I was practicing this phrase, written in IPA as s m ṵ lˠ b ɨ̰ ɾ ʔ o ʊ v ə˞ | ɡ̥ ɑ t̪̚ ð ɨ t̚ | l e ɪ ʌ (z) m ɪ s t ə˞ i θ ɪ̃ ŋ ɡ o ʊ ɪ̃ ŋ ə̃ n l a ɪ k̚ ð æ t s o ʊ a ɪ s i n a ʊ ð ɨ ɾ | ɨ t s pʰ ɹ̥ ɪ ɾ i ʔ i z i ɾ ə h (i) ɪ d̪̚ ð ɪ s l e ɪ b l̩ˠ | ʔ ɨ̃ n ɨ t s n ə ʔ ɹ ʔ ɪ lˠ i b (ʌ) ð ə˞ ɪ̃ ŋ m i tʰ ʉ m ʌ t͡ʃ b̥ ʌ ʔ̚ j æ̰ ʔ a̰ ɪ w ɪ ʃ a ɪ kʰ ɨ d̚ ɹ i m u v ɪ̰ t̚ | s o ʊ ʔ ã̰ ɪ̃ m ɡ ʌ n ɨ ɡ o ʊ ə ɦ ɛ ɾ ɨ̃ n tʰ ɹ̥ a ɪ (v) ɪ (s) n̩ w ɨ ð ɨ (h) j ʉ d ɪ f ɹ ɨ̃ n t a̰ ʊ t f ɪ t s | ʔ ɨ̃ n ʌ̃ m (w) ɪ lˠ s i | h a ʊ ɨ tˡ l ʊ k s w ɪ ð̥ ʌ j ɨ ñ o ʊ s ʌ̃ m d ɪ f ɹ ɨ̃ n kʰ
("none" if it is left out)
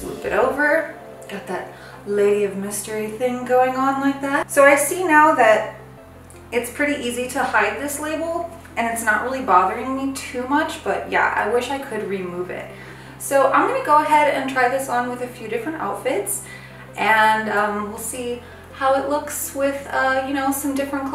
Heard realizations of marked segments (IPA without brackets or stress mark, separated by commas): v, a, ɑ, ð, s, f, w